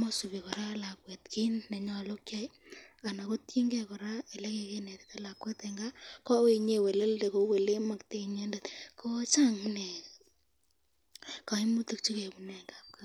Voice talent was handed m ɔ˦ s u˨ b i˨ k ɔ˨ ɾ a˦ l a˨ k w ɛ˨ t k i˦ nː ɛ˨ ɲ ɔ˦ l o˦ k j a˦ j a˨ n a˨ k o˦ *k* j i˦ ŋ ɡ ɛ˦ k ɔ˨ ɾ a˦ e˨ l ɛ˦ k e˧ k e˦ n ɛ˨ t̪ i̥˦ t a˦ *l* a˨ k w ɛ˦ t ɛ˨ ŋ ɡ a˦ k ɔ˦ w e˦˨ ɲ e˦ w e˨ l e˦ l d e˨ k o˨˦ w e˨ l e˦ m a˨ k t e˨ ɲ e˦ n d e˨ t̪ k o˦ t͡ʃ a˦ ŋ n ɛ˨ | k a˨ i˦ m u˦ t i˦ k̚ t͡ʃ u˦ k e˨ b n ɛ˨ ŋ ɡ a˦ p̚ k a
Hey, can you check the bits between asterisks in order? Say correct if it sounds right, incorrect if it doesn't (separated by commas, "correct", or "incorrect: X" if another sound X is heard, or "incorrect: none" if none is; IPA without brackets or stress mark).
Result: incorrect: t, correct